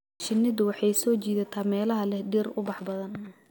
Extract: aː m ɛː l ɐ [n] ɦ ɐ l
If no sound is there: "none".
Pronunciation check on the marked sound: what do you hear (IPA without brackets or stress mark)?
none